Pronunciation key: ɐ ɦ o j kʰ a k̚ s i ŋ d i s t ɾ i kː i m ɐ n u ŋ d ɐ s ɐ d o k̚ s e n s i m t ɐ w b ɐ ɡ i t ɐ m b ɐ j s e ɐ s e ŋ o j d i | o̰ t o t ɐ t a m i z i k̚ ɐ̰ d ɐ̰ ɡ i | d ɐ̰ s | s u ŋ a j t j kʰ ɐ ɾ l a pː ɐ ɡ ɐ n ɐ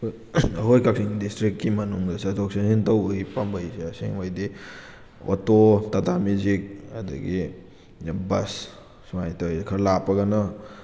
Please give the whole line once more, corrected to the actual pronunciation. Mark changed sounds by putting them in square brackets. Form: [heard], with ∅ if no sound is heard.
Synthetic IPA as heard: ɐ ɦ o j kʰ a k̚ s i ŋ d i s t ɾ i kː i m ɐ n u ŋ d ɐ s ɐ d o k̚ s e n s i [n] t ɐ w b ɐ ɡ i [p] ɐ m b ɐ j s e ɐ s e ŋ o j d i | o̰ t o t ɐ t a m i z i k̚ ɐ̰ d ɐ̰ ɡ i | [b] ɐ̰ s | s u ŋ a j t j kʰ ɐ ɾ l a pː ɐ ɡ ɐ n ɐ